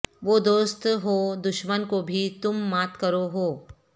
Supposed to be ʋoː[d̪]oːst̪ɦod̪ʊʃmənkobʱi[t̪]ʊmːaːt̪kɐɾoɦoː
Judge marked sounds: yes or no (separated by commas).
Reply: yes, yes